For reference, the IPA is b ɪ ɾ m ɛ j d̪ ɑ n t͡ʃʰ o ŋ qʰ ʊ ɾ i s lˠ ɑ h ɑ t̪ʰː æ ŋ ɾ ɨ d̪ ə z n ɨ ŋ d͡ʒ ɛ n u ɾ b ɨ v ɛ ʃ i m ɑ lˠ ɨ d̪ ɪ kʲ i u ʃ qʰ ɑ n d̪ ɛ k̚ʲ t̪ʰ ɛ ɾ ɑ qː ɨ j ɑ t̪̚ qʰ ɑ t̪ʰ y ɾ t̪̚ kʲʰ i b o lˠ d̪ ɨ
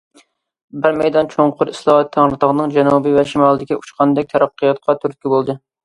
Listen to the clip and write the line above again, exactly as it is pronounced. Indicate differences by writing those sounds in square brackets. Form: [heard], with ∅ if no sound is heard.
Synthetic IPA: b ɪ ɾ m ɛ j d̪ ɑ n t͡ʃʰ o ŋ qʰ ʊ ɾ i s lˠ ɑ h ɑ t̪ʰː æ ŋ ɾ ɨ [t̪] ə [ʁ] n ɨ ŋ d͡ʒ ɛ n u [∅] b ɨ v ɛ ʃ i m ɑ lˠ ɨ d̪ ɪ kʲ i u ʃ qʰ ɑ n d̪ ɛ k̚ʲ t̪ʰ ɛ ɾ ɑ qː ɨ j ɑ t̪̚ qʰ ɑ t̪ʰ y ɾ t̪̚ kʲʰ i b o lˠ d̪ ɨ